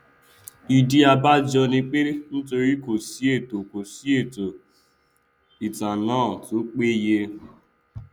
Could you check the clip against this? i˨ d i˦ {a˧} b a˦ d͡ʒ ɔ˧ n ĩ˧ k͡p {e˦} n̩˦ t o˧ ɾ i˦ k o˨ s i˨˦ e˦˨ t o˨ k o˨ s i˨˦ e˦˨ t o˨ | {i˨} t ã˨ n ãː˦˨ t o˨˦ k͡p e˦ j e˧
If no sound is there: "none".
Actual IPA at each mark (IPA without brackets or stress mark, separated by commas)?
a˧, e˦, i˨